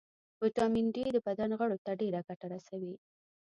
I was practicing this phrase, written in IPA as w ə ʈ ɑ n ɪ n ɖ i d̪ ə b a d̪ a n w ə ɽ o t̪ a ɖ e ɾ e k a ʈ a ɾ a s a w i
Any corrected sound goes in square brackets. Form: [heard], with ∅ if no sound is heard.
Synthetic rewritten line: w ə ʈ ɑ [m] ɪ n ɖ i d̪ ə b a d̪ a n [ɣ] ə ɽ o t̪ a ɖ e ɾ [a] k a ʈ a ɾ a s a w i